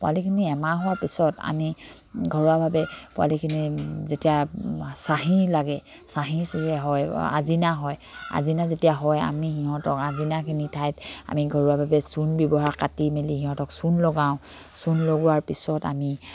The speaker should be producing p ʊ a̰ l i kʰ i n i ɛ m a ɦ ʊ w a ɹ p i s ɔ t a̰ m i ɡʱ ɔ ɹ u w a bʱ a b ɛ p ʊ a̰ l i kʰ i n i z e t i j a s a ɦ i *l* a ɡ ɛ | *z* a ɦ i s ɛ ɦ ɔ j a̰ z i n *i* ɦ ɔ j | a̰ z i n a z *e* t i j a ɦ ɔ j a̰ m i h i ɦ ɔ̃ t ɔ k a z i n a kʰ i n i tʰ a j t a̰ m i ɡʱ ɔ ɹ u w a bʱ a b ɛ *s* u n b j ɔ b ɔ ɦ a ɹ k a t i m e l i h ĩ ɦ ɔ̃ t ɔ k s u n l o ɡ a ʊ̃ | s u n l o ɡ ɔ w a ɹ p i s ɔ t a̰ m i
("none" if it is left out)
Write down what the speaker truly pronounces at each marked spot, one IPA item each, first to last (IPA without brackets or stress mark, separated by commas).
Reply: l, s, a, e, s